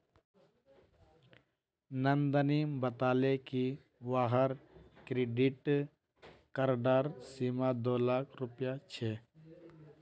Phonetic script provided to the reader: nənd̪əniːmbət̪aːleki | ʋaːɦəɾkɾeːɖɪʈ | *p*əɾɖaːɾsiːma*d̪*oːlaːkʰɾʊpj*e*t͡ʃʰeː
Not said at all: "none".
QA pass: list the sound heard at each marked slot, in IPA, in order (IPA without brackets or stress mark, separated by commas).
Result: k, d̪, a